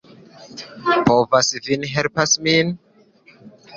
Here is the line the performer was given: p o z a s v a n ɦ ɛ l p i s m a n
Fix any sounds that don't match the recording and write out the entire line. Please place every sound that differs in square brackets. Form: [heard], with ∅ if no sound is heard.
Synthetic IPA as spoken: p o [v] a s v [i] n ɦ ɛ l p [a] s m [i] n